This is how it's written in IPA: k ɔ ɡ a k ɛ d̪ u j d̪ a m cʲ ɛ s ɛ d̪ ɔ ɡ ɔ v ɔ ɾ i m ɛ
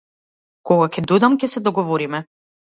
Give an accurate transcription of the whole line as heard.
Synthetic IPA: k ɔ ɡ a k ɛ d̪ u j d̪ a m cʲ ɛ s ɛ d̪ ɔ ɡ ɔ v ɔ ɾ i m ɛ